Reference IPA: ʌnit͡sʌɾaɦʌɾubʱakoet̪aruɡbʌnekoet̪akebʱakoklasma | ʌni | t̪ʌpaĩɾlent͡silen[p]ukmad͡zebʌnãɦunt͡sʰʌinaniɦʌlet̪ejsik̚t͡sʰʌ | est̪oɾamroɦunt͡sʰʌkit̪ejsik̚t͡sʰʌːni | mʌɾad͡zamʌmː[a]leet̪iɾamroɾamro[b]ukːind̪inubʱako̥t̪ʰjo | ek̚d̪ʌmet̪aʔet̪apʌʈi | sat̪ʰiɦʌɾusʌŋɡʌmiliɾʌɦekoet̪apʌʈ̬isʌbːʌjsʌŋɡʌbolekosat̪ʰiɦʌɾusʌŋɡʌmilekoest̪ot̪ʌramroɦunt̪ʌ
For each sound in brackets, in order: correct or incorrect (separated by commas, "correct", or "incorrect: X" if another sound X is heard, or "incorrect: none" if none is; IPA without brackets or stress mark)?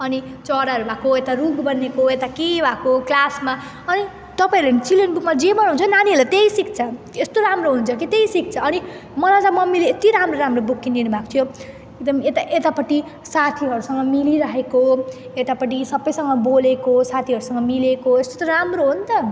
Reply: incorrect: b, incorrect: i, correct